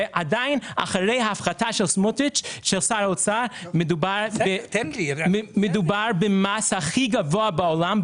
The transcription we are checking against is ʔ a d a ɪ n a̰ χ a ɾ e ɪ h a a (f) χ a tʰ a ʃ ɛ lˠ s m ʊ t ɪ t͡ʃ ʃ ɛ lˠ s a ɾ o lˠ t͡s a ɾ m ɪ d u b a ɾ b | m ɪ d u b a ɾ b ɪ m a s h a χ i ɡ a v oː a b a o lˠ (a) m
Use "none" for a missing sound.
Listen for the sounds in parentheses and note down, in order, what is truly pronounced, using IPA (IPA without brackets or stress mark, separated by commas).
f, a